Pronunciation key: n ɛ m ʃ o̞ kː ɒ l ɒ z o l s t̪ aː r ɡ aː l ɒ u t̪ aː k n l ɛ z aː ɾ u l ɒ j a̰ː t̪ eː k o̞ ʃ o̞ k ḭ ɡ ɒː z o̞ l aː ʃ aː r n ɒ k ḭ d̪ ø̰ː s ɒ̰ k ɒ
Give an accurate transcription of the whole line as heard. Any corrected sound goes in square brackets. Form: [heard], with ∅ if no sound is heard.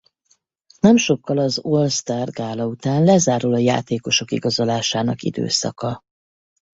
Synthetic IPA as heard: n ɛ m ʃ o̞ kː ɒ l ɒ z o l s t̪ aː r ɡ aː l ɒ u t̪ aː [∅] n l ɛ z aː ɾ u l ɒ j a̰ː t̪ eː k o̞ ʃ o̞ k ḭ ɡ [ɒ] z o̞ l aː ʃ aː [∅] n ɒ k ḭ d̪ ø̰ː s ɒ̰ k ɒ